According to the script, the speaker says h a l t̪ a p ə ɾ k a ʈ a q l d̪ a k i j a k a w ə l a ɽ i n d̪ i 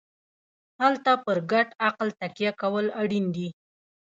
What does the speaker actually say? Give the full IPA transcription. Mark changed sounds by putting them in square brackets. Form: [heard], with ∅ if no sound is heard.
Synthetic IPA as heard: h a l t̪ a p ə ɾ [ɡ] a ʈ a q l [t̪] a k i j a k a w ə l a ɽ i n d̪ i